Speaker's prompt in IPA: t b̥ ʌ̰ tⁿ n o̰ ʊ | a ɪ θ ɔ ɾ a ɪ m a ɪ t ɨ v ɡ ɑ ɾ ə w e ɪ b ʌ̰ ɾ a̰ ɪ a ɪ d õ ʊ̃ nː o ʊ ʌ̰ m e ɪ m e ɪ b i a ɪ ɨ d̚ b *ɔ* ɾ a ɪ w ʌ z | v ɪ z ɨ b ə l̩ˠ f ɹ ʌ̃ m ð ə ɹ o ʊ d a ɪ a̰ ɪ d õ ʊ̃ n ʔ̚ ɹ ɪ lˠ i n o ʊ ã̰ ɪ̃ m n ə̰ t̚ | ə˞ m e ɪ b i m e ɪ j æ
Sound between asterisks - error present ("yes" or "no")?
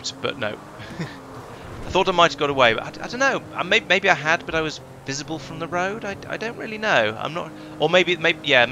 yes